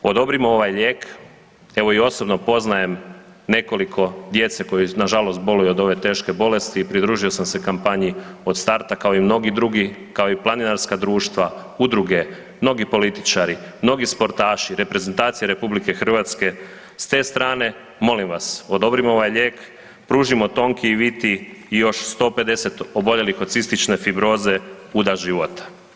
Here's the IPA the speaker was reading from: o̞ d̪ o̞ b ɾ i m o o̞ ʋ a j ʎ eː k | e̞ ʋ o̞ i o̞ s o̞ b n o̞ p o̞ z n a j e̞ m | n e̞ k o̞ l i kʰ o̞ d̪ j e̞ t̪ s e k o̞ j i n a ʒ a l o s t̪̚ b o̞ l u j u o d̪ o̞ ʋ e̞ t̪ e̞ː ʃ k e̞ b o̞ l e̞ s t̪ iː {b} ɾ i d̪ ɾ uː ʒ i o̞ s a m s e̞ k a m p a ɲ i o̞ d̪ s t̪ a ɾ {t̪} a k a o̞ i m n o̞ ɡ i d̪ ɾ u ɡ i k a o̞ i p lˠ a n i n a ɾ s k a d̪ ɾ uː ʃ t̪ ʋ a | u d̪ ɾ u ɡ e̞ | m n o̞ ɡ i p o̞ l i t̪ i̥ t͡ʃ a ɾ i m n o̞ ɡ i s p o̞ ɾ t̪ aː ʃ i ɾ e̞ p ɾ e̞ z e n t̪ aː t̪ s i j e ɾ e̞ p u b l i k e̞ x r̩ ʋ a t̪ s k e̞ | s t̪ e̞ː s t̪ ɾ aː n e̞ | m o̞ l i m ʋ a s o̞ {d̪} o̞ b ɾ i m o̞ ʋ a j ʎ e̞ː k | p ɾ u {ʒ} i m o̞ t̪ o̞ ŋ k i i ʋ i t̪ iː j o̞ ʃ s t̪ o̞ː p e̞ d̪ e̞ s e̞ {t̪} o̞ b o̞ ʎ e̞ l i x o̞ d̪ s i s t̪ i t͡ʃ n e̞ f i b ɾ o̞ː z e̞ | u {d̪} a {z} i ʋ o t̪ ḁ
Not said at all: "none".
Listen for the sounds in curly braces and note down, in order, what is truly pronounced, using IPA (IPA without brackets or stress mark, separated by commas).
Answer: p, t̪, d̪, ʒ, t̪, d̪, ʒ